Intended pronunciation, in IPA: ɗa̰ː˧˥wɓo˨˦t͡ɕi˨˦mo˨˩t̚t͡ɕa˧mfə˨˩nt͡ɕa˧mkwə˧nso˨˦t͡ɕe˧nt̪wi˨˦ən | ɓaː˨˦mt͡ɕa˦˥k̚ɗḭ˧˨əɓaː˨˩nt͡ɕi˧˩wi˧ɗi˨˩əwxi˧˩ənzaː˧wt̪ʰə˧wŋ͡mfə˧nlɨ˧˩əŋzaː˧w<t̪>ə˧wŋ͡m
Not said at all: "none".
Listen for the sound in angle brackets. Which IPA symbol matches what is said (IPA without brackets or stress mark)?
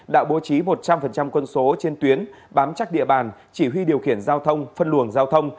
t̪ʰ